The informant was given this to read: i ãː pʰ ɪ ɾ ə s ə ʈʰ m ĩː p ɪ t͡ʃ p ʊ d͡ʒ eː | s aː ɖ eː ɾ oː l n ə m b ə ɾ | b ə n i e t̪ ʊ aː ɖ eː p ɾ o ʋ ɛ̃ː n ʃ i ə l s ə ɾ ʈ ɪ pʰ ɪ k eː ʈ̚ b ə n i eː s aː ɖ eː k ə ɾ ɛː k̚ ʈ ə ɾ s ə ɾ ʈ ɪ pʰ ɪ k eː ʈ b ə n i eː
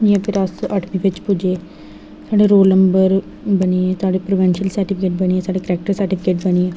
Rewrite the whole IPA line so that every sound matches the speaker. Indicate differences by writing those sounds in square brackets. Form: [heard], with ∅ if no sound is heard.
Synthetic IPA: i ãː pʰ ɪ ɾ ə s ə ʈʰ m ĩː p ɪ t͡ʃ p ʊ d͡ʒ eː | s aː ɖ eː ɾ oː l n ə m b ə ɾ | b ə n i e t̪ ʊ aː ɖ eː p ɾ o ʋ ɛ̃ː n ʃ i ə l s ə ɾ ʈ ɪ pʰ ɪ k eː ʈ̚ b ə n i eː s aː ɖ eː k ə ɾ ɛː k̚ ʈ ə ɾ s ə ɾ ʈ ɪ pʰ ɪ k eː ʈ b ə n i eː